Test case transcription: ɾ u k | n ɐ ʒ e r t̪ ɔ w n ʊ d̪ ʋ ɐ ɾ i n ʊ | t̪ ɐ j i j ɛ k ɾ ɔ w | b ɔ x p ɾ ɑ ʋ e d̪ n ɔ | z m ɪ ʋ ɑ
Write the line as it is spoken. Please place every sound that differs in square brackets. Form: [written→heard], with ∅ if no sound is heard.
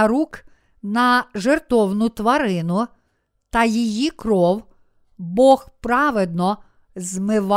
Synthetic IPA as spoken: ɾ u k | n ɐ ʒ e r t̪ ɔ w n ʊ [d̪→t̪] ʋ ɐ ɾ [i→ɪ] n ʊ | t̪ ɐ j i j [ɛ→i] k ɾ ɔ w | b ɔ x p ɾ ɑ ʋ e d̪ n ɔ | z m ɪ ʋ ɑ